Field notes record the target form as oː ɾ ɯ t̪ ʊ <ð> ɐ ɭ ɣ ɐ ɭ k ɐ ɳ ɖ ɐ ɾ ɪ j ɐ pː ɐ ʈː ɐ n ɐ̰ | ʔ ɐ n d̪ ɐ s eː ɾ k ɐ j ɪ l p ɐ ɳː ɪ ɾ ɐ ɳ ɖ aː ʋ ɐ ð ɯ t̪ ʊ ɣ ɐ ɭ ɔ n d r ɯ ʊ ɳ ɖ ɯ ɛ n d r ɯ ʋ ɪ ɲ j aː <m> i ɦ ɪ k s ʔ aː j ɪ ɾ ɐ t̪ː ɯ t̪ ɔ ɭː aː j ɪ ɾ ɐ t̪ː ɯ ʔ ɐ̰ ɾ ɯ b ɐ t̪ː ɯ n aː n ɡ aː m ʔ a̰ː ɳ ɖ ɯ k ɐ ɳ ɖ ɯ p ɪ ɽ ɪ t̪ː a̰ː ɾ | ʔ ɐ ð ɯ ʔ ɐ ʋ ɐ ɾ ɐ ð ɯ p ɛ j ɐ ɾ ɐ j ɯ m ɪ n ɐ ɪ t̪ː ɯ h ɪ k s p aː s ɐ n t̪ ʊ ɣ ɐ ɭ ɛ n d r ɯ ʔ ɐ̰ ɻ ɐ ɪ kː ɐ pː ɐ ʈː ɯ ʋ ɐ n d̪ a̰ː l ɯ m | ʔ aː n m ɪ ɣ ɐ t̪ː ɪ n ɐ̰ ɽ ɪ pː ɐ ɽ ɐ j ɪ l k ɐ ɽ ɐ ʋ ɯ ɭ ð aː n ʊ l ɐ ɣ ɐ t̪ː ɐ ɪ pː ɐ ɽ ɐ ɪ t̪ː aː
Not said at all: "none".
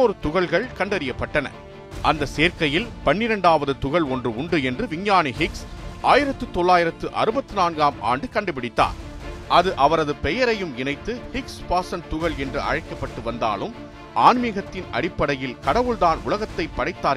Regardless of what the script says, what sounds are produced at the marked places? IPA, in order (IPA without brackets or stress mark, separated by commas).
ɣ, n